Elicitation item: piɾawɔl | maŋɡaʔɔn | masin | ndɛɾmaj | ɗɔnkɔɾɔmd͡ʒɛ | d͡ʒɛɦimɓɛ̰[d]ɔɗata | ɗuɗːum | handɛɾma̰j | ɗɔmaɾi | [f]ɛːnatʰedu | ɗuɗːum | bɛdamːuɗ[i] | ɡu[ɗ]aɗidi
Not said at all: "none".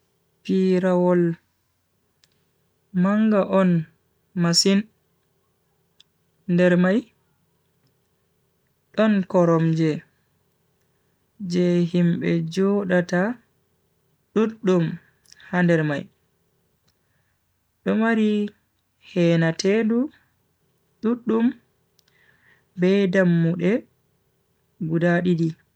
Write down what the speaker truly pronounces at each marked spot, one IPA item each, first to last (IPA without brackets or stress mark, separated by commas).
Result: d͡ʒ, h, ɛ, d